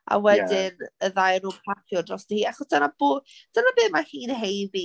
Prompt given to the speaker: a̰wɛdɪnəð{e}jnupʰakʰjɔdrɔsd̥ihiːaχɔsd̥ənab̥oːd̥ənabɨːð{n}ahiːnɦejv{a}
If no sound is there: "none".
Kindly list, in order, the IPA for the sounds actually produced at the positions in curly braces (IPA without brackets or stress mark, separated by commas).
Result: a, m, i